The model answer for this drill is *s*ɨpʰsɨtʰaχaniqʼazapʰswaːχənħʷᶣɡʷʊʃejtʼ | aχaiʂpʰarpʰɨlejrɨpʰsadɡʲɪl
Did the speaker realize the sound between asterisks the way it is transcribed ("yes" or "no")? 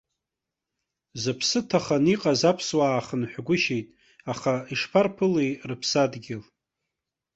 no